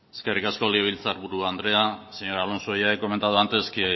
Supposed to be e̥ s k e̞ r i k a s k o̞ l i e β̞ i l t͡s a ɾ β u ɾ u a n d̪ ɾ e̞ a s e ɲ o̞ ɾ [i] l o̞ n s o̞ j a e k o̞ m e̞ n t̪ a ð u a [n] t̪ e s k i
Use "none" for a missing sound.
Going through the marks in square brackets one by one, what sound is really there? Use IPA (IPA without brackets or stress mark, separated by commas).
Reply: a, n